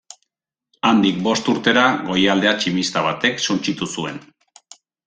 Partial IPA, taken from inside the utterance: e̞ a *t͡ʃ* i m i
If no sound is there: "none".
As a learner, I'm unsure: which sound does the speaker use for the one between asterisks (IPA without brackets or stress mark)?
t͡ʃ